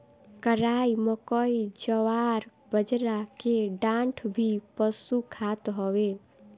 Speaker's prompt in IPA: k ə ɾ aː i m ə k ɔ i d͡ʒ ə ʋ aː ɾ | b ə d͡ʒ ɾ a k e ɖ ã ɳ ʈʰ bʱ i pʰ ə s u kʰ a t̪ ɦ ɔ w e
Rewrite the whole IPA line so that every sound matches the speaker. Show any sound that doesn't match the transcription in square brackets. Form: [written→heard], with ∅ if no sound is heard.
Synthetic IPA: k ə ɾ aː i m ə k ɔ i d͡ʒ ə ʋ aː ɾ | b ə d͡ʒ ɾ a k e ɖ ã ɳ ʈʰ bʱ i [pʰ→p] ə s u kʰ a t̪ ɦ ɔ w e